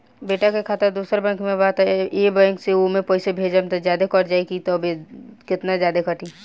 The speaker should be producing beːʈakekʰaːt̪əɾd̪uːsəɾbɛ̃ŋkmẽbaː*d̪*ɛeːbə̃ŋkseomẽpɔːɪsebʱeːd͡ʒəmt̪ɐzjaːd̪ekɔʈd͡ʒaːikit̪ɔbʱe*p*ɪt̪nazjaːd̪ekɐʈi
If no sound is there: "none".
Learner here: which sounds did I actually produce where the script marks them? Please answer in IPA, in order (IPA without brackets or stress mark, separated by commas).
t̪, k